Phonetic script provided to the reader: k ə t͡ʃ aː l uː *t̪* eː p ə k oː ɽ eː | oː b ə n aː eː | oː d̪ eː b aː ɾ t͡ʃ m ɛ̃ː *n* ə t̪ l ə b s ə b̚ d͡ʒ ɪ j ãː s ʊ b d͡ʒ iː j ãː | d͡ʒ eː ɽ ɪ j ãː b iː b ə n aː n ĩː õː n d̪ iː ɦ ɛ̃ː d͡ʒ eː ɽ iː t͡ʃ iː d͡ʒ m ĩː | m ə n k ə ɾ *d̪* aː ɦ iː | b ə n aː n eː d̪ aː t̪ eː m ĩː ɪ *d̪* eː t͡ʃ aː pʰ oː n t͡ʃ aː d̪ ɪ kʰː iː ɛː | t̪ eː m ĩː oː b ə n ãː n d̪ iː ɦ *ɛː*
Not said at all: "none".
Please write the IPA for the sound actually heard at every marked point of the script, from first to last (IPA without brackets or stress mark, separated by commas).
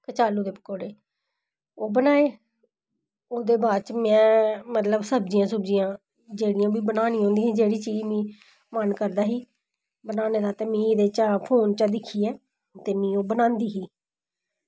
d̪, m, d̪, d̪, iː